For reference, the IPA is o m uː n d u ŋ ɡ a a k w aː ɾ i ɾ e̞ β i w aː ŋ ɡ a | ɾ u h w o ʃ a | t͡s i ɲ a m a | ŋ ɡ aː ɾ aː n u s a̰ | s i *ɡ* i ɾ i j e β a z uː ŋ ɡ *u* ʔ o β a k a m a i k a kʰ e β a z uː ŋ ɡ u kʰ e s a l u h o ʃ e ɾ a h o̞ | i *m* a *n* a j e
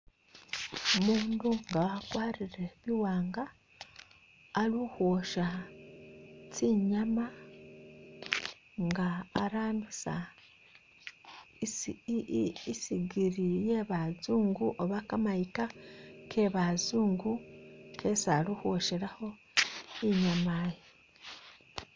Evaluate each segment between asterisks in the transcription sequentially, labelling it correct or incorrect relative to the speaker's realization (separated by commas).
correct, correct, incorrect, incorrect